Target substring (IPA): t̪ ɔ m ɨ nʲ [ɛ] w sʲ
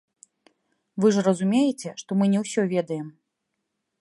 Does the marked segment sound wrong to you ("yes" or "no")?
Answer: no